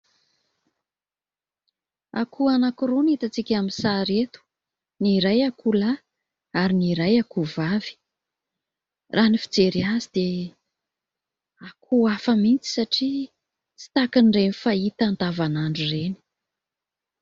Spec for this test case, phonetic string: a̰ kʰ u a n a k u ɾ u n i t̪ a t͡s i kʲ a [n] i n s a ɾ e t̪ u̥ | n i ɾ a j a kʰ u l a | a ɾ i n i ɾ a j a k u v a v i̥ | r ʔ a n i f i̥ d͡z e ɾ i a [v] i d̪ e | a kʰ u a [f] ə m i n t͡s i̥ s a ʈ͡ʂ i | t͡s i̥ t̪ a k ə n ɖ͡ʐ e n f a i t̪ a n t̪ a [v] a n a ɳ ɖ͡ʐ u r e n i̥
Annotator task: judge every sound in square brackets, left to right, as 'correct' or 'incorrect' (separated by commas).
incorrect, incorrect, correct, correct